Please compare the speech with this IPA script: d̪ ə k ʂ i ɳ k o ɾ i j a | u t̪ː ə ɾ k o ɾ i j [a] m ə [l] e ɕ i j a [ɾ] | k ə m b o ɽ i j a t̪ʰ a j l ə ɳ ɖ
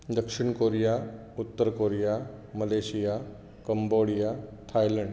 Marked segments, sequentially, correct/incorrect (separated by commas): correct, correct, incorrect